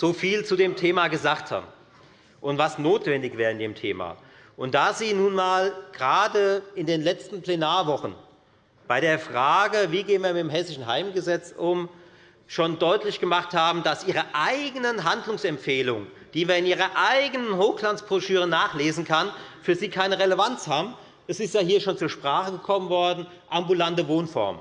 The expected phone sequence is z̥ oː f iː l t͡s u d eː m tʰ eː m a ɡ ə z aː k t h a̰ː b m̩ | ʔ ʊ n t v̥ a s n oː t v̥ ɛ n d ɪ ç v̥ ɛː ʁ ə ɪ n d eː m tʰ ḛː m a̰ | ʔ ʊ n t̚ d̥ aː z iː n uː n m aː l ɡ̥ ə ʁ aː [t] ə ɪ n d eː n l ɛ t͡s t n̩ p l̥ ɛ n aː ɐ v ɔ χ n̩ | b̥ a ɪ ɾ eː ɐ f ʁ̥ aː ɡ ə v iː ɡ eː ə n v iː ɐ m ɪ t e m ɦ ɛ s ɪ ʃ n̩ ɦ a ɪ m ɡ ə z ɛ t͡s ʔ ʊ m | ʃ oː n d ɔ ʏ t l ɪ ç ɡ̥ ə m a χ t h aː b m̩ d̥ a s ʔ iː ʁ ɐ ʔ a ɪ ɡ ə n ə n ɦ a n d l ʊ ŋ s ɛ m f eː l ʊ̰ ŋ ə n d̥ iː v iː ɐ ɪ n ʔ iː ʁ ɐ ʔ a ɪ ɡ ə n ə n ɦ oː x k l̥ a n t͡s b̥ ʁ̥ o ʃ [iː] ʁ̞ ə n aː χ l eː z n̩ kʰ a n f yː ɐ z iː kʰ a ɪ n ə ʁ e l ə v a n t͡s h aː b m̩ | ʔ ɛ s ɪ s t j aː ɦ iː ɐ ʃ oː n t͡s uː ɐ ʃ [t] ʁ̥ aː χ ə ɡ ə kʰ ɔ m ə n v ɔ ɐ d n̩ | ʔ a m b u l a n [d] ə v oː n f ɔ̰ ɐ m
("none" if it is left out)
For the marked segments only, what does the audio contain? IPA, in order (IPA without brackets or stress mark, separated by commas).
d, yː, p, t